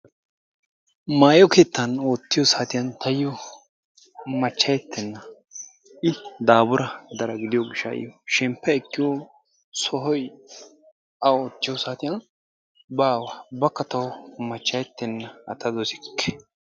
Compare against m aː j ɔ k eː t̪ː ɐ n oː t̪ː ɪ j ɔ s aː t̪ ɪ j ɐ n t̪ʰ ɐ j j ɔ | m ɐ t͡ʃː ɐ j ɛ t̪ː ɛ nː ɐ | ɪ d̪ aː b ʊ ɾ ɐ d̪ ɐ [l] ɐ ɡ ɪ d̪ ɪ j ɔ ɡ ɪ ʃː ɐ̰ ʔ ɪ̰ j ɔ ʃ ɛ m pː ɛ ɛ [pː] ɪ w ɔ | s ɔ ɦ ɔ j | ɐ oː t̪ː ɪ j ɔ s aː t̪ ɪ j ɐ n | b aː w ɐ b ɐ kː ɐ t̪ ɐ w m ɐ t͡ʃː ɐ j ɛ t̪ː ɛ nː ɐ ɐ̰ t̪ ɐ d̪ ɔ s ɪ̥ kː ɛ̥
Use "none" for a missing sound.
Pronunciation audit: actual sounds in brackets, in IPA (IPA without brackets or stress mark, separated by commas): ɾ, kː